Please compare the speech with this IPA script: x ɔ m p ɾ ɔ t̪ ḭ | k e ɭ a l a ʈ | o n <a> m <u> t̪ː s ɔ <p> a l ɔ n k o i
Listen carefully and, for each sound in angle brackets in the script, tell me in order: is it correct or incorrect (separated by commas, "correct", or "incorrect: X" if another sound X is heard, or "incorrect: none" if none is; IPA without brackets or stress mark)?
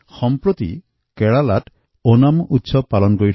correct, correct, correct